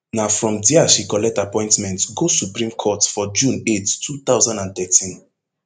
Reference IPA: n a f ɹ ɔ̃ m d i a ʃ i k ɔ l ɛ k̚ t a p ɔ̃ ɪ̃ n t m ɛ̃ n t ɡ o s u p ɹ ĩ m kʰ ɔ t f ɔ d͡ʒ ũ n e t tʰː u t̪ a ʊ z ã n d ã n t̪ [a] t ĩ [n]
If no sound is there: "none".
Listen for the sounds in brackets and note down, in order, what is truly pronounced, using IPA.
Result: ɛ, n

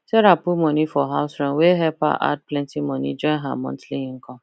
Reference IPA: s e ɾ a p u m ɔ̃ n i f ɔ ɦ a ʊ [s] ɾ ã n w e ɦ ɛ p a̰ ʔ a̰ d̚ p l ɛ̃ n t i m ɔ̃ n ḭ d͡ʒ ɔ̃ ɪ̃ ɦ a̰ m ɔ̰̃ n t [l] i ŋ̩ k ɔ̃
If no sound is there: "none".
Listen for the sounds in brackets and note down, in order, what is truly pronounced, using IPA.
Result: s, l

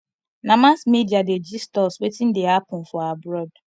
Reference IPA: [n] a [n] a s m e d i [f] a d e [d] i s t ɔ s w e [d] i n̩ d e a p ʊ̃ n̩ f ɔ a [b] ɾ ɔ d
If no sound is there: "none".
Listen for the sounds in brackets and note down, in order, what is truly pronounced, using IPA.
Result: n, m, none, d͡ʒ, t, b

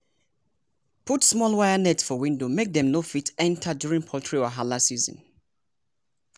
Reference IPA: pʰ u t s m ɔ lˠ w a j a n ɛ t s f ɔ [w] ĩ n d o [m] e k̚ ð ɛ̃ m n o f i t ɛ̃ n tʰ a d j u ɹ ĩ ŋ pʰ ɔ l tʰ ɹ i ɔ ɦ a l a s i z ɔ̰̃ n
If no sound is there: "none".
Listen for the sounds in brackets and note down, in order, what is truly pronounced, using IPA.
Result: w, m

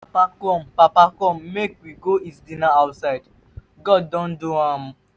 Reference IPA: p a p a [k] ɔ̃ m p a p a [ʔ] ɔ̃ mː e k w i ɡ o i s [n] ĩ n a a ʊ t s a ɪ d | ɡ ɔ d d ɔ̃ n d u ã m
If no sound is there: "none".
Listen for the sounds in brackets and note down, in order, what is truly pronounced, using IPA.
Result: k, k, d

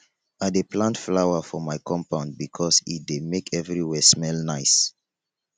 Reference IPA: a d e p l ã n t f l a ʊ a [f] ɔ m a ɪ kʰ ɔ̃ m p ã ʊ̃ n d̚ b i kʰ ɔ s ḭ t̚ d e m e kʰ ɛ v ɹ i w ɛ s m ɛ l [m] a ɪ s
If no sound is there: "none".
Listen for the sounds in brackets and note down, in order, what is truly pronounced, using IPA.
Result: f, n

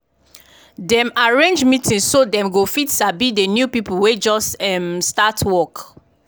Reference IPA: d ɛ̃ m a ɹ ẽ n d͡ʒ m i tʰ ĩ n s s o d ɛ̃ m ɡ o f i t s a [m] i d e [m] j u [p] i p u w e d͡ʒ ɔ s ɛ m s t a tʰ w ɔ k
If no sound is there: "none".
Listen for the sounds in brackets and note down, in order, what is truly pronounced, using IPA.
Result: b, n, p

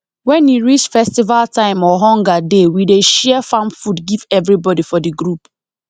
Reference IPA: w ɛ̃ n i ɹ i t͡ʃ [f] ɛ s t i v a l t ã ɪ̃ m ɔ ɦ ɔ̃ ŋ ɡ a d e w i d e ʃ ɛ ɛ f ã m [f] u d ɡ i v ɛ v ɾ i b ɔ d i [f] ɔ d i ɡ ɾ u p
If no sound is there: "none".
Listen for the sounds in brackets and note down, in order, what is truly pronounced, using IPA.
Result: f, f, f

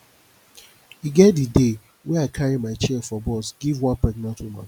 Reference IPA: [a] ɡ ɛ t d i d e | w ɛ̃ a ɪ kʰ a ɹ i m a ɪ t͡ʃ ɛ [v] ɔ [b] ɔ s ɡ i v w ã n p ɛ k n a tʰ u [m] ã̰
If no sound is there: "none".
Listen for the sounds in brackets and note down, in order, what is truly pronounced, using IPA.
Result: i, f, b, m

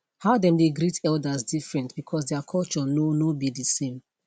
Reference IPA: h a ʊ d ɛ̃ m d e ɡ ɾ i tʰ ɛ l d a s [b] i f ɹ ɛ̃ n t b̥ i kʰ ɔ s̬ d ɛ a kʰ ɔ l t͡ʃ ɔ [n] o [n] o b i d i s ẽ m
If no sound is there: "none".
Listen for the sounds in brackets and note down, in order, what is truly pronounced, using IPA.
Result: d, n, n

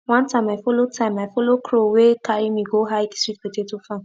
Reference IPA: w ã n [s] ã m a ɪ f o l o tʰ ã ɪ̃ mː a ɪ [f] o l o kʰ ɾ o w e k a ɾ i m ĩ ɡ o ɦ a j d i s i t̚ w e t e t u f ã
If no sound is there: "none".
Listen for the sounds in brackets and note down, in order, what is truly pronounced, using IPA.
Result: t, f

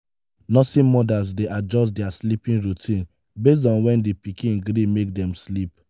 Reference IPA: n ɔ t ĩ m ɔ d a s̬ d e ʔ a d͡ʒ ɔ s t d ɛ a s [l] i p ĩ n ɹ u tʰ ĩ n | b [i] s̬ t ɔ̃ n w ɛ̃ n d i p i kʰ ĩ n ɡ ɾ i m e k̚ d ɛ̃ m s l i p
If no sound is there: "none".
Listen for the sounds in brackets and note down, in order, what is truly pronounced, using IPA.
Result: l, e

